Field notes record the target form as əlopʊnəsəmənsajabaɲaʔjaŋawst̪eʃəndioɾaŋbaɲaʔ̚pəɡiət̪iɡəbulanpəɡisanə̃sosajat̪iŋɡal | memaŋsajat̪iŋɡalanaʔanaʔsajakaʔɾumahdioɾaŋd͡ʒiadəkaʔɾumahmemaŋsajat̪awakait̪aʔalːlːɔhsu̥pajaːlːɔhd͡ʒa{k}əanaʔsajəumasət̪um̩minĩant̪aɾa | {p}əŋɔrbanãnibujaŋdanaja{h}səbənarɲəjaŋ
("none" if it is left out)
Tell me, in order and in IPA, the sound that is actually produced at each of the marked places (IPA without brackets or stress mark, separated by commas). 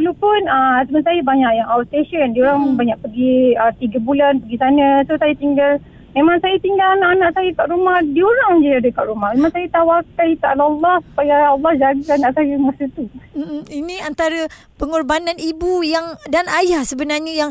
ɡ, p, h